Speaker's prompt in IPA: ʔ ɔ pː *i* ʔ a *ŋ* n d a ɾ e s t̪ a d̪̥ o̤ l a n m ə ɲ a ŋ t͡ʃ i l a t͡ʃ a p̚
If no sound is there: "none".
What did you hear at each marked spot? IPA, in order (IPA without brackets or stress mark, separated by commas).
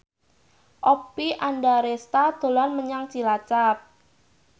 i, none